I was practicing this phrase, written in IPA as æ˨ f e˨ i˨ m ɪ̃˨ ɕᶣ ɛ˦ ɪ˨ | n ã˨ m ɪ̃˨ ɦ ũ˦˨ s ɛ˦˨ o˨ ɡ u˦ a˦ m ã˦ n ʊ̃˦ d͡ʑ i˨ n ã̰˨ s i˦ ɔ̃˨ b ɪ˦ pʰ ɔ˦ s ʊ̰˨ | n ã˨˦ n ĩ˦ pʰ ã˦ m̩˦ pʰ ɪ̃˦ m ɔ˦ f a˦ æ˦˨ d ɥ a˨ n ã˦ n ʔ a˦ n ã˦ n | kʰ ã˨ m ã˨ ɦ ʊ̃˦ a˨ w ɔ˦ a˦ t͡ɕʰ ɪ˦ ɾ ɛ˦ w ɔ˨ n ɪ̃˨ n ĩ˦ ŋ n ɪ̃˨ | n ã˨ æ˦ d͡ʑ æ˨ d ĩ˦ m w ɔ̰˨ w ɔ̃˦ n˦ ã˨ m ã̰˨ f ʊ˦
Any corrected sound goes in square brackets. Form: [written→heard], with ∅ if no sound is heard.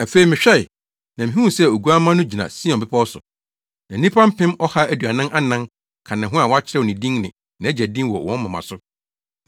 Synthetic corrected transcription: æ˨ f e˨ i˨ m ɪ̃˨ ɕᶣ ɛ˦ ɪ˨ | n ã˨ m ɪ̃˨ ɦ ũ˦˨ s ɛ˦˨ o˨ ɡ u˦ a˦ m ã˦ n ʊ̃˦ d͡ʑ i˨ n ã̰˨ s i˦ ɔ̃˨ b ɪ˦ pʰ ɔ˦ s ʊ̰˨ | n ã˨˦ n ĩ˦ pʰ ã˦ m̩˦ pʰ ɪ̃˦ m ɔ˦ [f→h] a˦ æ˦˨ d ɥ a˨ n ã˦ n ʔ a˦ n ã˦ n | kʰ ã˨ [m→n] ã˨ ɦ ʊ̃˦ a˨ w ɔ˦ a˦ t͡ɕʰ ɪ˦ ɾ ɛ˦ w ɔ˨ n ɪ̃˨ [n→d] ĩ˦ ŋ n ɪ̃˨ | n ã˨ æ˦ d͡ʑ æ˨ d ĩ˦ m w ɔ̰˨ w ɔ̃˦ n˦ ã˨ m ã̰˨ [f→s] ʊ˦